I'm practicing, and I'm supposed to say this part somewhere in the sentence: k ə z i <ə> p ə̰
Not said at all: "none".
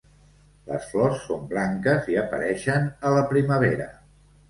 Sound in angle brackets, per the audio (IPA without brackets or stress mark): ə